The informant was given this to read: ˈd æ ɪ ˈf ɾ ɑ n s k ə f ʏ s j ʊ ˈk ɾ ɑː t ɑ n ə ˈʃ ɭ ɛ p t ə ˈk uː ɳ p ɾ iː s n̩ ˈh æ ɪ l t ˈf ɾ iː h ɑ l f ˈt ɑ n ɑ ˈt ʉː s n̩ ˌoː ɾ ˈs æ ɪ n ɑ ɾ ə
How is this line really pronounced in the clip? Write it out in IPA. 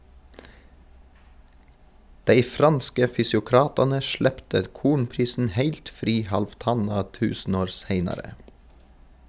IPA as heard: ˈd æ ɪ ˈf ɾ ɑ n s k ə f ʏ s j ʊ ˈk ɾ ɑː t ɑ n ə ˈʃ ɭ ɛ p t ə ˈk uː ɳ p ɾ iː s n̩ ˈh æ ɪ l t ˈf ɾ iː h ɑ l f ˈt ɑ n ɑ ˈt ʉː s n̩ ˌoː ɾ ˈs e ɪ n ɑ ɾ ə

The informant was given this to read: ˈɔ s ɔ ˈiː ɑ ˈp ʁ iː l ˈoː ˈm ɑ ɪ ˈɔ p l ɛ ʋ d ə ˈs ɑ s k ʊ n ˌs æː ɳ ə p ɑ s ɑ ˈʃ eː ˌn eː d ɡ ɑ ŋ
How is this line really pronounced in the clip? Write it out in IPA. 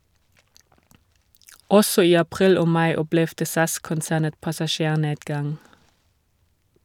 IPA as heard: ˈɔ s ɔ ˈiː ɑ ˈp ʁ iː l ˈoː ˈm ɑ ɪ ˈɔ p l ɛ ʋ d ə ˈs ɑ s k ʊ n ˌs æː n ə p ɑ s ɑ ˈʃ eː ˌn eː d ɡ ɑ ŋ

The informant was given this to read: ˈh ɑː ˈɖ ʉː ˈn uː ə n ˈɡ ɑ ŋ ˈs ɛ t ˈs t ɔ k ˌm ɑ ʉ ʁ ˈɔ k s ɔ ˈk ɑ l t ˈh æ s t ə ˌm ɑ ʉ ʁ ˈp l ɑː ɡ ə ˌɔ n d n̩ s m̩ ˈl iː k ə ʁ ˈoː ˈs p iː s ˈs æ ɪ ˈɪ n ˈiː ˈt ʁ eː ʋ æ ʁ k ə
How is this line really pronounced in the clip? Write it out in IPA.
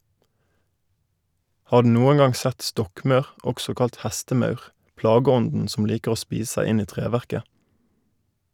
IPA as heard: ˈh ɑː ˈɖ ʉː ˈn uː ə n ˈɡ ɑ ŋ ˈs ɛ t ˈs t ɔ k ˌm ɑ ʉ ʁ ˈɔ k s ɔ ˈk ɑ l t ˈh æ s t ə ˌm ɑ ʉ ʁ ˈp l ɑː ɡ ə ˌɔ n d n̩ s m̩ ˈl iː k ə ʁ ˈoː ˈs p iː s ˈs æ ɪ ˈɪ n ˈiː ˈt ʁ eː ʋ æ ʁ k ə

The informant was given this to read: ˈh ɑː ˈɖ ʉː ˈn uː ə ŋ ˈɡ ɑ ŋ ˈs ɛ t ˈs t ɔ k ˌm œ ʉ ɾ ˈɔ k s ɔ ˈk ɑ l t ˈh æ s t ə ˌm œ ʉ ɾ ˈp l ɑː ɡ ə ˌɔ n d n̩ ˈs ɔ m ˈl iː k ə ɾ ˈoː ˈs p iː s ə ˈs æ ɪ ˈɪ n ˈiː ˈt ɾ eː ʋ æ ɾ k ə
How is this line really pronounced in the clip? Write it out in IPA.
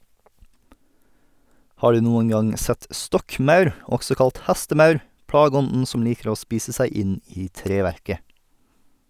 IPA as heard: ˈh ɑː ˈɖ ʉː ˈn uː ə ŋ ˈɡ ɑ ŋ ˈs ɛ t ˈs t ɔ k ˌm œ ʉ ɾ ˈɔ k s ɔ ˈk ɑ l t ˈh æ s t ə ˌm œ ʉ ɾ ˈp ɽ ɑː ɡ ə ˌɔ n d n̩ ˈs ɔ m ˈl iː k ə ɾ ˈoː ˈs p iː s ə ˈs æ ɪ ˈɪ n ˈiː ˈt ɾ eː ʋ æ ɾ k ə

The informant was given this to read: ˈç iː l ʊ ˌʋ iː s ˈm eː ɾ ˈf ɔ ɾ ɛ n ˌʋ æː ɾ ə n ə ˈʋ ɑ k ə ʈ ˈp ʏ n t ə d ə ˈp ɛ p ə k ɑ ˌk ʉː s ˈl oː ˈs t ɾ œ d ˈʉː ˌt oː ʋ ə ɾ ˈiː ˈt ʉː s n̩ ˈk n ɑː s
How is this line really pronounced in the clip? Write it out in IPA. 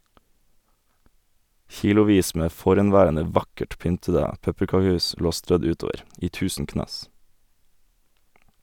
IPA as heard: ˈç iː l ʊ ˌʋ iː s ˈm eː ˈf ɔ ɾ ɛ n ˌʋ æː ɾ ə n ə ˈʋ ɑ k ə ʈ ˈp ʏ n t ə d ə ˈp ɛ p ə k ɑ ˌk ʉː s ˈl oː ˈs t ɾ œ d ˈʉː ˌt oː ʋ ə ɾ ˈiː ˈt ʉː s n̩ ˈk n ɑː s

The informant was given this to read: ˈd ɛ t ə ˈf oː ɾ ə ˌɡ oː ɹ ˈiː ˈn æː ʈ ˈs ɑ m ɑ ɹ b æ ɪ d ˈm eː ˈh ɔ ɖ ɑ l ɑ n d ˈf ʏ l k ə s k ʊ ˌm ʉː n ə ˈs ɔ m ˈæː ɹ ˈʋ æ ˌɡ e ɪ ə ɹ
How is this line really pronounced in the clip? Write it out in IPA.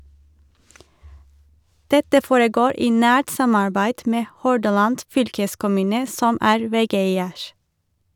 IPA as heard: ˈd ɛ t ə ˈf oː ɹ ə ˌɡ oː ɹ ˈiː ˈn æː ʈ ˈs ɑ m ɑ ɹ b æ ɪ d ˈm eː ˈh ɔ ɖ ɑ l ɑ n d ˈf ʏ l k ə s k ʊ ˌm ʉː n ə ˈs ɔ m ˈæː ɹ ˈʋ ɛ ˌɡ e ɪ ə ɹ

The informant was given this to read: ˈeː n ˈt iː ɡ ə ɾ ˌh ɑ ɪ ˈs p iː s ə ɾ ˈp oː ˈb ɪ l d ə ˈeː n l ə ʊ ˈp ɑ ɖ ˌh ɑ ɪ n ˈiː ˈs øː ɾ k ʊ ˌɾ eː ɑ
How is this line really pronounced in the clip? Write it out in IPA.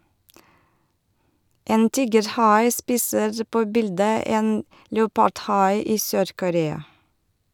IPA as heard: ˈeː n ˈt iː ɡ ə ɾ ˌh ɑ ɪ ˈs p iː s ə ɾ ˈp oː ˈb ɪ l d ə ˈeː n l ə ʊ ˈp ɑ ɖ ˌh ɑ ɪ ˈiː ˈs øː ɾ k ʊ ˌɾ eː ɑ

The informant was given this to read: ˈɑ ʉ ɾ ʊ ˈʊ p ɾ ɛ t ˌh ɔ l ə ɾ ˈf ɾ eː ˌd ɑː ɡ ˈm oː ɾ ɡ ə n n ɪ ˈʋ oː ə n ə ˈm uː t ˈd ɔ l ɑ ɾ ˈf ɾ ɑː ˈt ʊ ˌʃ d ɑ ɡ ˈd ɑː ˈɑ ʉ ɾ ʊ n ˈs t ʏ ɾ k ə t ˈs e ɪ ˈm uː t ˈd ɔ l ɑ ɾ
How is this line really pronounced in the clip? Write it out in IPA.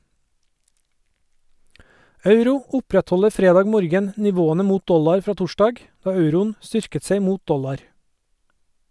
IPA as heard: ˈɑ ʉ ɾ ʊ ˈʊ p ɾ ɛ t ˌh ɔ l ə ɾ ˈf ɾ eː ˌd ɑː ɡ ˈm oː ɾ ɡ ə n n ɪ ˈʋ oː ə n ə ˈm uː t ˈd ɔ l ɑ ɾ ˈf ɾ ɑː ˈt ʊ ˌʃ d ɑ ɡ ˈd ɑː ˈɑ ʉ ɾ ʊ n ˈs t ʏ ɾ k ə t ˈs e ɪ ˈm uː t ˈd ɔ l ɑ ɾ

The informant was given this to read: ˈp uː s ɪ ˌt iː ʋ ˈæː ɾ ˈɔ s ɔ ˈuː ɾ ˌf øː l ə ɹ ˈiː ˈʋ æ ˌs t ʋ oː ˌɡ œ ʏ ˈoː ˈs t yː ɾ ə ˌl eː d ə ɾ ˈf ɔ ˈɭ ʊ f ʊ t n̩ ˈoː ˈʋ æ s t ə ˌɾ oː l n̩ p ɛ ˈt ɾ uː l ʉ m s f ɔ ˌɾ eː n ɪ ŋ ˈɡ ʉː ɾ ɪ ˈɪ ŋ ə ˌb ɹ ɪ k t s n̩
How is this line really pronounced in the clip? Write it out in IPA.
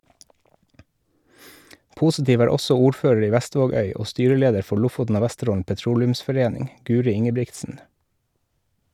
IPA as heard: ˈp uː s ɪ ˌt iː ʋ ˈæː ɾ ˈɔ s ɔ ˈuː ɾ ˌf øː ɹ ə ɹ ˈiː ˈʋ æ ˌs t ʋ oː ˌɡ œ ʏ ˈoː ˈs t yː ɾ ə ˌl eː d ə ɾ ˈf ɔ ˈɭ ʊ f ʊ t n̩ ˈoː ˈʋ æ s t ə ˌɾ oː l n̩ p ɛ ˈt ɾ uː l ʉ m s f ɔ ˌɾ eː n ɪ ŋ ˈɡ ʉː ɾ ɪ ˈɪ ŋ ə ˌb ɹ ɪ k t s n̩

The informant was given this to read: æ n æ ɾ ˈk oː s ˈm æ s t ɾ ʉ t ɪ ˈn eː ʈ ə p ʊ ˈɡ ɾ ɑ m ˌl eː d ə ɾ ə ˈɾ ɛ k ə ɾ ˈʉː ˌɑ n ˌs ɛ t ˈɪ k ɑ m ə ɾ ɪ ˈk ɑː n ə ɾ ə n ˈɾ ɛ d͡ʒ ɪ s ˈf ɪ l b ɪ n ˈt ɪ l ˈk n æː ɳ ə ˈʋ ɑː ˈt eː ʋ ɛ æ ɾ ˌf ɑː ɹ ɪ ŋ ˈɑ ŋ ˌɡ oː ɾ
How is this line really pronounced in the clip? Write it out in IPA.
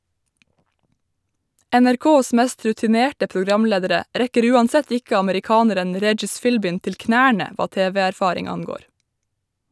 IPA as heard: æ n æ ɾ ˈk oː s ˈm æ s t ɾ ʉ t ɪ ˈn eː ʈ ə p ʊ ˈɡ ɾ ɑ m ˌl eː d ə ɾ ə ˈɾ ɛ k ə ɾ ˈʉː ˌɑ n ˌs ɛ t ˈɪ k ɑ m ə ɾ ɪ ˈk ɑː n ə ɾ ə n ˈɾ ɛ d͡ʒ ɪ s ˈf ɪ l b ɪ n ˈt ɪ l ˈk n æː ɳ ə ˈʋ ɑː ˈt eː ʋ ɛ æ ɾ ˌf ɑː ɾ ɪ ŋ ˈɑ ŋ ˌɡ oː ɾ

